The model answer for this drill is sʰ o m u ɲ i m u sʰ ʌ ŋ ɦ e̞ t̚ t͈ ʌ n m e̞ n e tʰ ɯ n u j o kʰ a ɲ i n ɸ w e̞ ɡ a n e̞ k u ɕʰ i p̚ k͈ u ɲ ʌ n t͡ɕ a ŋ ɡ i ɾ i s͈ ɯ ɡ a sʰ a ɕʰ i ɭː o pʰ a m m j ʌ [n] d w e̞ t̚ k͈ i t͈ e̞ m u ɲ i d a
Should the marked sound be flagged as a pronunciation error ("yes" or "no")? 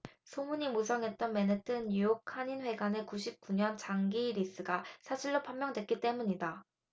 yes